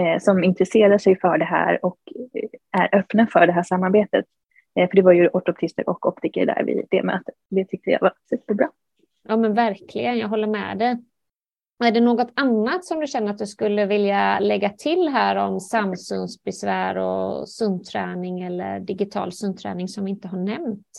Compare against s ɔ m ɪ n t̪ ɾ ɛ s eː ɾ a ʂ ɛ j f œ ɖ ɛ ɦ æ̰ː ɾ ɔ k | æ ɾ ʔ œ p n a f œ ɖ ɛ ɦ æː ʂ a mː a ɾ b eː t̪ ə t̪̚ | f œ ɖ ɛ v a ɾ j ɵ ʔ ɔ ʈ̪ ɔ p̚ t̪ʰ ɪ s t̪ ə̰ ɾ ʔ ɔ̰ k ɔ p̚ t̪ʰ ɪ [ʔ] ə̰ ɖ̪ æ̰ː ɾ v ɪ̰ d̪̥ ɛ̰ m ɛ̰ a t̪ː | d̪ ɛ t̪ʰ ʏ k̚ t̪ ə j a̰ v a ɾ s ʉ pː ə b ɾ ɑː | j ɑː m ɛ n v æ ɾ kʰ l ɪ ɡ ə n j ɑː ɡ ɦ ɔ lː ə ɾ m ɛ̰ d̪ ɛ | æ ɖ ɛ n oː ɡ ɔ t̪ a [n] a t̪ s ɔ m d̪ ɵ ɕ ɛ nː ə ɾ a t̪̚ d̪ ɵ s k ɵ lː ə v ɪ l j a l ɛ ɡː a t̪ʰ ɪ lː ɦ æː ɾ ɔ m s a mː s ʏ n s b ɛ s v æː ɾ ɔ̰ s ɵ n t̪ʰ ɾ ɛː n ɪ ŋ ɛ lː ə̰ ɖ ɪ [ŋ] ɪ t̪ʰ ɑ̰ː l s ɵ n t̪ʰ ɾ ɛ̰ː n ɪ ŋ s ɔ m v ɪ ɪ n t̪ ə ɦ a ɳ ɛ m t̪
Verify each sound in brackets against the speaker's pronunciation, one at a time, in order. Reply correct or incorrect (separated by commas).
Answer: incorrect, incorrect, incorrect